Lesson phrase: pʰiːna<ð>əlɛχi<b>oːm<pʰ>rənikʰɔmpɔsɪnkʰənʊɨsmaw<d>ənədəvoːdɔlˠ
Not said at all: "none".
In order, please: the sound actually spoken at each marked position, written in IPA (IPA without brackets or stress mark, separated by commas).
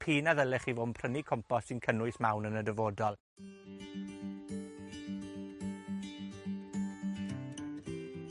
ð, v, pʰ, n